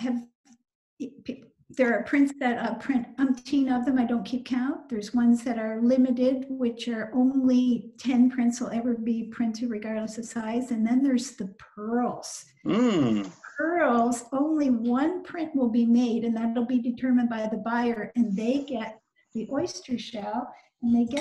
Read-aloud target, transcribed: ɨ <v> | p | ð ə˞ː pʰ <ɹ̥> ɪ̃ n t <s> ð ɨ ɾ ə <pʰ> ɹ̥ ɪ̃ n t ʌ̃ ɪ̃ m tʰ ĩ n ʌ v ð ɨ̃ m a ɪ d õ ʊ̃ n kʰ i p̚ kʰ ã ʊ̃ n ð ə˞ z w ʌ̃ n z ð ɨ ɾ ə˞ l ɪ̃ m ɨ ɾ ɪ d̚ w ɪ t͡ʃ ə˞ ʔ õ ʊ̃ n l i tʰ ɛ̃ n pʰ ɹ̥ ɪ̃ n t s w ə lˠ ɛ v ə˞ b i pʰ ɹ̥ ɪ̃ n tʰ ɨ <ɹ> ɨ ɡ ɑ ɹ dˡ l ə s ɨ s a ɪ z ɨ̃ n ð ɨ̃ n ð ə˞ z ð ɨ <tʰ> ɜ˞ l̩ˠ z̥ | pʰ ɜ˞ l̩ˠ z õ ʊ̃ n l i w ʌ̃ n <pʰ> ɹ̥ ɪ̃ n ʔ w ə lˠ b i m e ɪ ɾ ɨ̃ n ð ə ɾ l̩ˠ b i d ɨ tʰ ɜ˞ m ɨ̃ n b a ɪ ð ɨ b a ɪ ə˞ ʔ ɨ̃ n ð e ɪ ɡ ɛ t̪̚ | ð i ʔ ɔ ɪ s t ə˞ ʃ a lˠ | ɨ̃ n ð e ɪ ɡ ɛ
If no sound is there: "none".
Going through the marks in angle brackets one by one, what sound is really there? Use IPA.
v, ɹ̥, s, pʰ, ɹ, pʰ, pʰ

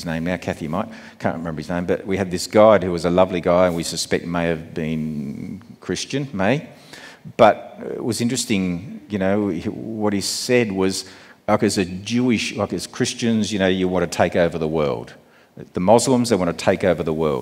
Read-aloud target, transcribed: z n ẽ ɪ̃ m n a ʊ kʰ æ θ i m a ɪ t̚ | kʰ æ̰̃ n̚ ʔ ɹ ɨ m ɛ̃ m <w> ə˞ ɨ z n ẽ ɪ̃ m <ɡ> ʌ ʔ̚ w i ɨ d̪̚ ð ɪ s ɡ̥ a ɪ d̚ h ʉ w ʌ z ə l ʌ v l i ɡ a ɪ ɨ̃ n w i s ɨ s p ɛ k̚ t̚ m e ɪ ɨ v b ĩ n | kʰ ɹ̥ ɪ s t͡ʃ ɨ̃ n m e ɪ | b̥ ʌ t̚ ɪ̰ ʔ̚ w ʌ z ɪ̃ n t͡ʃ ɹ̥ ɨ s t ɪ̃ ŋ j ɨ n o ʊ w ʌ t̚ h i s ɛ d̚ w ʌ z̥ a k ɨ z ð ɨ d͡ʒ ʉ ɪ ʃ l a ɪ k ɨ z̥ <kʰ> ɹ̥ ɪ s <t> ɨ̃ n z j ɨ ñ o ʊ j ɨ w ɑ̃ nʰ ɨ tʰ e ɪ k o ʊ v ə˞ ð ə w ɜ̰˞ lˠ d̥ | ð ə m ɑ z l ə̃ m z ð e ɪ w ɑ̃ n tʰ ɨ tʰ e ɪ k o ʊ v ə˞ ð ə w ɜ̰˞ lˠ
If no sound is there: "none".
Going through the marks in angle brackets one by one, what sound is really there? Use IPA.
b, b, kʰ, t͡ʃ

